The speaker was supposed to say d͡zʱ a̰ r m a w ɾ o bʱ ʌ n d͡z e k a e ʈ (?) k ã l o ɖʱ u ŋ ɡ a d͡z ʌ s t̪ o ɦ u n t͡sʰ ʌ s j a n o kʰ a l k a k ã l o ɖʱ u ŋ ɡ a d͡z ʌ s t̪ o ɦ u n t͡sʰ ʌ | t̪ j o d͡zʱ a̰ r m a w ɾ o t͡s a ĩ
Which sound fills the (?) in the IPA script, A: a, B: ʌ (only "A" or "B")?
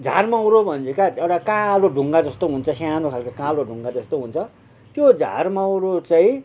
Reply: A